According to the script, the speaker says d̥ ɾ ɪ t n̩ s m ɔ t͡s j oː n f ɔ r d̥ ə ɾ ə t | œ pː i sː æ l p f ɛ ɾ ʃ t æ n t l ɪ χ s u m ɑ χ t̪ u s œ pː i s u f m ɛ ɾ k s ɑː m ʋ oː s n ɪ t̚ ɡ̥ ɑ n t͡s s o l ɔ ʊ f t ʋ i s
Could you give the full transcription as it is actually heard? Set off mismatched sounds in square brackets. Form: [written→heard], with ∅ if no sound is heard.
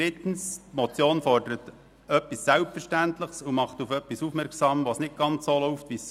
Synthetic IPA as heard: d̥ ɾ ɪ t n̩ s m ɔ t͡s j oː n f ɔ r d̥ ə ɾ ə t | œ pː i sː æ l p f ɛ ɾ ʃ t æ n t l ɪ χ s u m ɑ χ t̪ u [s→f] œ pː i s u f m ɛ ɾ k s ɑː m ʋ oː s n ɪ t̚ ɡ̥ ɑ n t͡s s o l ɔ ʊ f t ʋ i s